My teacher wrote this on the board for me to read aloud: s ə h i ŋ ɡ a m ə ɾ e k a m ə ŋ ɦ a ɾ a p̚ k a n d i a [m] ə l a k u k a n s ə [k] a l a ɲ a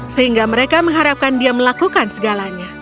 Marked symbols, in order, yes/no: yes, no

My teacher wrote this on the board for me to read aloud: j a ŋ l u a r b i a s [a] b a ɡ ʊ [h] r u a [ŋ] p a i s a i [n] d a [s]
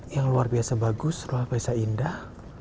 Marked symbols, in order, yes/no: yes, no, no, yes, no

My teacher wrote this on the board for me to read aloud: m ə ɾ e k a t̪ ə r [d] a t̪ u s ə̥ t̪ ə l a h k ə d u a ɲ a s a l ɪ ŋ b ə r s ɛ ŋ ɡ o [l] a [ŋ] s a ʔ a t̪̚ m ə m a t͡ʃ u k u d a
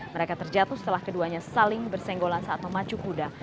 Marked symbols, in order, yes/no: no, yes, no

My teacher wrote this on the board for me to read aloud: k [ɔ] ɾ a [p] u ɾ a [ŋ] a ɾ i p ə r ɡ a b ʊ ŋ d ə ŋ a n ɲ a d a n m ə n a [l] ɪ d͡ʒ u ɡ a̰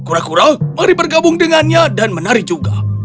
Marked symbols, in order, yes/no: no, no, no, no

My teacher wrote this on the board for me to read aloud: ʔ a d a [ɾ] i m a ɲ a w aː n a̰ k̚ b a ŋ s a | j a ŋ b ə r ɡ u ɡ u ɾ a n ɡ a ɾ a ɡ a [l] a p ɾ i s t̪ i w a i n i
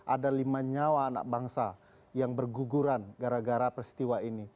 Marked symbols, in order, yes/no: no, no

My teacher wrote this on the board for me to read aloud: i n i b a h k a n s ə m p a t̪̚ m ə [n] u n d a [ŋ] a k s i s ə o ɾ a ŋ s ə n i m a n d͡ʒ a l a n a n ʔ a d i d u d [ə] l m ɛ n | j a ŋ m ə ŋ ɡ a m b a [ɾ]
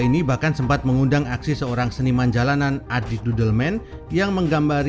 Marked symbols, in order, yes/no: no, yes, yes, yes

